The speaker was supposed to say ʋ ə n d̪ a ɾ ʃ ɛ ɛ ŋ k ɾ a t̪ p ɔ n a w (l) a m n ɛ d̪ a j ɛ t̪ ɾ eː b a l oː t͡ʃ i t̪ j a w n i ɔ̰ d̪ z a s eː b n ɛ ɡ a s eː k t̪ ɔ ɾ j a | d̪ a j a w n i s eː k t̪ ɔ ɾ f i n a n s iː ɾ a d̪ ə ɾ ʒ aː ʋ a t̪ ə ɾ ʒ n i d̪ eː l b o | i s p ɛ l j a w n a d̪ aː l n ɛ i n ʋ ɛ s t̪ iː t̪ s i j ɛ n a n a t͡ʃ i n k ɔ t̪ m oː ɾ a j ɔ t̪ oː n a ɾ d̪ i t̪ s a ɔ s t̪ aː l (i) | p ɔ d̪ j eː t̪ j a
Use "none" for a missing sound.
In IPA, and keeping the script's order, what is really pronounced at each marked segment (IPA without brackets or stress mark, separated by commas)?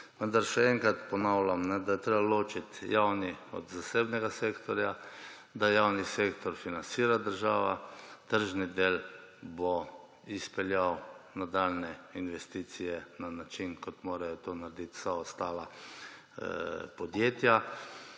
l, a